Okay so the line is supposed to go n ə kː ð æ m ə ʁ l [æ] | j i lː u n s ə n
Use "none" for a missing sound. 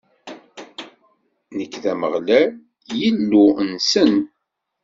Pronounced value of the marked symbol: æ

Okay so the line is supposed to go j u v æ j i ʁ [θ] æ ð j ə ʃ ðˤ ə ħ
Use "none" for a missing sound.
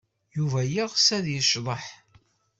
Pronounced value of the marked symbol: s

